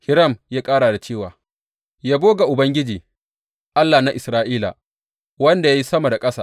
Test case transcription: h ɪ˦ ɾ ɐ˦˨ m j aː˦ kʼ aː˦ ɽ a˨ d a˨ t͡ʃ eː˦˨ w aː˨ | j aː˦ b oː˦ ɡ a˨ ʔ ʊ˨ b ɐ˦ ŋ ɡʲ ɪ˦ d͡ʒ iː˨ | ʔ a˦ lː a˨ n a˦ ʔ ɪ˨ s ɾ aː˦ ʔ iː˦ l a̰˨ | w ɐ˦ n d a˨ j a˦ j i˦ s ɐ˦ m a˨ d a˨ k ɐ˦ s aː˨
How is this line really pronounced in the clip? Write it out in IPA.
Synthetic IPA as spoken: h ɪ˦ ɾ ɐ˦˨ m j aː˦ kʼ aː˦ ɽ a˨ d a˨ t͡ʃ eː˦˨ w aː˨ | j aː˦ b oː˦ ɡ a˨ ʔ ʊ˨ b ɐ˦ ŋ ɡʲ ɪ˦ d͡ʒ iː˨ | ʔ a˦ lː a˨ n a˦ ʔ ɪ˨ s ɾ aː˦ ʔ iː˦ l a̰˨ | w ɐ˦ n d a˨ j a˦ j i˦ s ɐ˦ m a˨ d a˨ kʼ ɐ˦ s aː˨